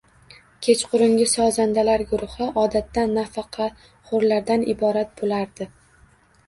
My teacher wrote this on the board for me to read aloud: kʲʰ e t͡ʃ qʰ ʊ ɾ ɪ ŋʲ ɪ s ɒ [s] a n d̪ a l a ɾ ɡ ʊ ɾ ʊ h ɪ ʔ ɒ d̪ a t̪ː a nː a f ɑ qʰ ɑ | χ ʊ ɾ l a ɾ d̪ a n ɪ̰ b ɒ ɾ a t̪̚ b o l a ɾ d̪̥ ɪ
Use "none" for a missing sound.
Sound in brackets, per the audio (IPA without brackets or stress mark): z